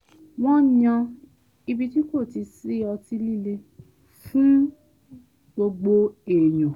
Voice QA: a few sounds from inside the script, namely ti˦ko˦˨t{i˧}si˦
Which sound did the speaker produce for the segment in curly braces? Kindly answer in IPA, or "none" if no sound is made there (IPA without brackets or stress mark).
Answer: i˧